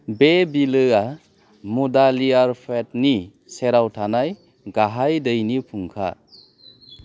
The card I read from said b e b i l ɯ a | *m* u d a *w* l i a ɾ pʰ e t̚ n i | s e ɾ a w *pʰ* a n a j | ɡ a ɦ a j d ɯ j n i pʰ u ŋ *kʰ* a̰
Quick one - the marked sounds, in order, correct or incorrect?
correct, incorrect, incorrect, correct

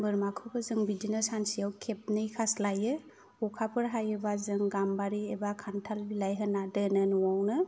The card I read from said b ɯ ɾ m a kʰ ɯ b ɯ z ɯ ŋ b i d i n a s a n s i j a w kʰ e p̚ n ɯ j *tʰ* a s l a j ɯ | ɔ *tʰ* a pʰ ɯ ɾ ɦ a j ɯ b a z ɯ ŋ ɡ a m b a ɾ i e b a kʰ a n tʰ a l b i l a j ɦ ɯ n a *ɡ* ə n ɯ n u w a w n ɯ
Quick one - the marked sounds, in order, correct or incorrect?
incorrect, incorrect, incorrect

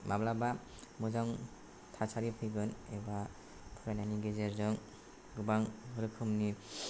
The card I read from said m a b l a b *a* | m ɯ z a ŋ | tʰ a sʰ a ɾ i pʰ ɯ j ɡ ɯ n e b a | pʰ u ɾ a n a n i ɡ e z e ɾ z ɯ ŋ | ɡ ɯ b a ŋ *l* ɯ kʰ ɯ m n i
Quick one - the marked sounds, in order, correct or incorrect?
correct, incorrect

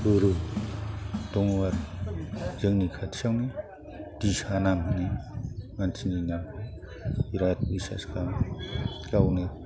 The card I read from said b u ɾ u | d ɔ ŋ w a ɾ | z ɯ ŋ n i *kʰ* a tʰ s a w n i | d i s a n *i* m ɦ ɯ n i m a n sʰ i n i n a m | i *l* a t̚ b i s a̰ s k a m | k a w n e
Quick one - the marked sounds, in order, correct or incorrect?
correct, incorrect, incorrect

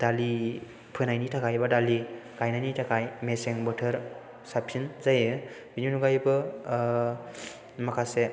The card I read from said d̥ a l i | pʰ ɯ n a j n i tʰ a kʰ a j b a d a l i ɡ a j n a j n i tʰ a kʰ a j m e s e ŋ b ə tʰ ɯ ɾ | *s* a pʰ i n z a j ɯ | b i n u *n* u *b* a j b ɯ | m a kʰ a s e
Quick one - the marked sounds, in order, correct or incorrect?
correct, correct, incorrect

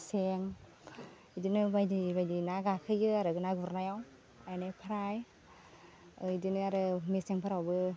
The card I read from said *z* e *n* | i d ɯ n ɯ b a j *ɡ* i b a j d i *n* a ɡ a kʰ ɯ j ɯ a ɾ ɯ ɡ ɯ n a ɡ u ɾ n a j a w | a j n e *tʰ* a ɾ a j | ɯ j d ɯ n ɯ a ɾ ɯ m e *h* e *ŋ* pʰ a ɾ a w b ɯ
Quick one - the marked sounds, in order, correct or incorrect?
incorrect, incorrect, incorrect, correct, incorrect, incorrect, correct

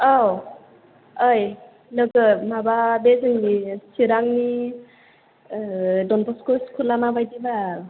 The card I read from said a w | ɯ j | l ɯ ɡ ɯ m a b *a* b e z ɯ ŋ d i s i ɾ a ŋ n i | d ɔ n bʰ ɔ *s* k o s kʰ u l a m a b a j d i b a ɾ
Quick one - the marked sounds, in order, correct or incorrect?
correct, correct

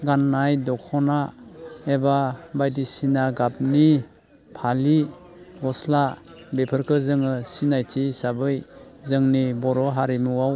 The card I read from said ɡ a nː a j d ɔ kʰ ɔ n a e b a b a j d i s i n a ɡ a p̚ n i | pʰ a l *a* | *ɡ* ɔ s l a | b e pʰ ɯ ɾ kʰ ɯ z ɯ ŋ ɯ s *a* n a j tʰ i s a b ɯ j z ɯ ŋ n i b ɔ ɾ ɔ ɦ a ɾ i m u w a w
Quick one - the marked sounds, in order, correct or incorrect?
incorrect, correct, incorrect

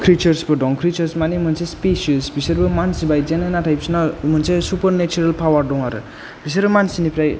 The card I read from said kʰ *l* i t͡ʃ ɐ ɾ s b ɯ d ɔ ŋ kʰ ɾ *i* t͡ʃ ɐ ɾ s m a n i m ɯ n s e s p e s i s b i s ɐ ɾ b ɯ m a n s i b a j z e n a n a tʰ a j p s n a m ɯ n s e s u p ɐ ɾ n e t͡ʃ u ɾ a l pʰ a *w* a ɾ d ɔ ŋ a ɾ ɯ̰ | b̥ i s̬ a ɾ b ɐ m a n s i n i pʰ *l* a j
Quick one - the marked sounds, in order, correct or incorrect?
incorrect, correct, correct, incorrect

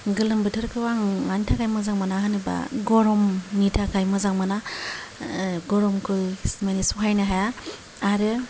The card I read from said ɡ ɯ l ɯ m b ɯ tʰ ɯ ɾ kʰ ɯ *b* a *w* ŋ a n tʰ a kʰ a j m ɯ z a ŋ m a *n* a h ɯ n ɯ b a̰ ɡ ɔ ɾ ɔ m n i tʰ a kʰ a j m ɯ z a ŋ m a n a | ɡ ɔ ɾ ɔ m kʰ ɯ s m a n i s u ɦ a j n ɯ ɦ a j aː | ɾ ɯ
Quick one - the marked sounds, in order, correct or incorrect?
incorrect, incorrect, correct

